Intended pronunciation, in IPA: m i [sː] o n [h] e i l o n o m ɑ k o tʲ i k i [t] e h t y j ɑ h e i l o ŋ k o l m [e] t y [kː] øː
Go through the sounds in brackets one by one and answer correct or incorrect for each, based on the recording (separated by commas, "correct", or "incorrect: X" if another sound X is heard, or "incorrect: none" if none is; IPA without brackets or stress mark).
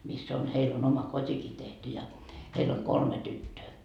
correct, correct, correct, correct, incorrect: tː